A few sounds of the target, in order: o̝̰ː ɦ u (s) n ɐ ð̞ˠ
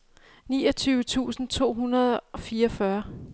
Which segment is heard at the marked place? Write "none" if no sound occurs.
none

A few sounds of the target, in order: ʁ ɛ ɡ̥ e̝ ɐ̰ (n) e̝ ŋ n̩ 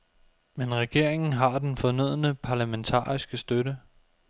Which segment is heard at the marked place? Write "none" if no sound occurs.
none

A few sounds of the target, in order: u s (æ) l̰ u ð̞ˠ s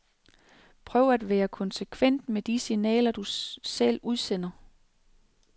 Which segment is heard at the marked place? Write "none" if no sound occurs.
e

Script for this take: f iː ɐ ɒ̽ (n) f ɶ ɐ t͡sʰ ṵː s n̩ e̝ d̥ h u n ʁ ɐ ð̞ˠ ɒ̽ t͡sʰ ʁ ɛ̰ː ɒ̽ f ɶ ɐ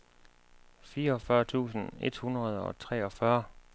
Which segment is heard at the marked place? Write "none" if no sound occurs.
none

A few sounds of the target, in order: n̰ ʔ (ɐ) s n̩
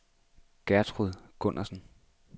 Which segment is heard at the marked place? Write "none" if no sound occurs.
ɐ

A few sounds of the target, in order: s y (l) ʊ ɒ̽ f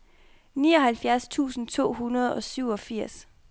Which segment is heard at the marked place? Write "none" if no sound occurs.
none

